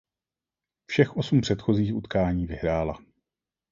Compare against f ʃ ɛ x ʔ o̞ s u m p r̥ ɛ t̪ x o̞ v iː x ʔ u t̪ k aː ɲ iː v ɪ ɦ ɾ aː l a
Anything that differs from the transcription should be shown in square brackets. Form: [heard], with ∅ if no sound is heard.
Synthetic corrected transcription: f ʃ ɛ x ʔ o̞ s u m p r̥ ɛ t̪ x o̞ [z] iː x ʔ u t̪ k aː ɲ iː v ɪ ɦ ɾ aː l a